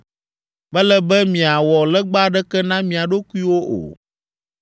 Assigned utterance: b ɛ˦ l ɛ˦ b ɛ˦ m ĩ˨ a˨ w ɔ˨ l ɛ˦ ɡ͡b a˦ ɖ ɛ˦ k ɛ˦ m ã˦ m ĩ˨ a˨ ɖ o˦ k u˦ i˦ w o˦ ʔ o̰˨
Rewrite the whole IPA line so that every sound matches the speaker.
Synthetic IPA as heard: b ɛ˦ l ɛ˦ b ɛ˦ m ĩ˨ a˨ w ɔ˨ l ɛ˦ ɡ͡b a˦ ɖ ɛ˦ k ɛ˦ n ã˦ m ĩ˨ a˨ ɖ o˦ k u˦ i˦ w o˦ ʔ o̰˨